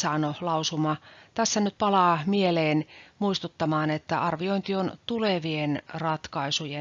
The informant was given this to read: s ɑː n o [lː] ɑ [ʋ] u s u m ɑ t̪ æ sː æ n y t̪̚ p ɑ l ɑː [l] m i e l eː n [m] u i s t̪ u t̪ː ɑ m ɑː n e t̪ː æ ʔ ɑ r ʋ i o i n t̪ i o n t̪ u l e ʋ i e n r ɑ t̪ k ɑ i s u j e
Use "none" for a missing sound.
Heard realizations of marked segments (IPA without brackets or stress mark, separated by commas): l, none, none, m